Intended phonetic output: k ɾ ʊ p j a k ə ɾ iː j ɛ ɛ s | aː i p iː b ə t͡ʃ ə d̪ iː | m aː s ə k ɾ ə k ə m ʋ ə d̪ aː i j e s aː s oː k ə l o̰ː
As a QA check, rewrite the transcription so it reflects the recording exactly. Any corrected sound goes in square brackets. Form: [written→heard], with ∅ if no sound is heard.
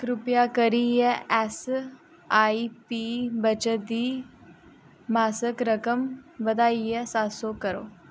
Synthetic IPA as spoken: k ɾ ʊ p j a k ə ɾ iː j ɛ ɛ s | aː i p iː b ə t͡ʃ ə d̪ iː | m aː s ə k ɾ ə k ə m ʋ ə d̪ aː i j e s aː s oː k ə [l→ɾ] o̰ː